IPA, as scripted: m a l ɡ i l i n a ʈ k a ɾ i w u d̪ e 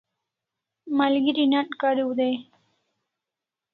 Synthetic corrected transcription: m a l ɡ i ɾ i n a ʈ k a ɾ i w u d̪ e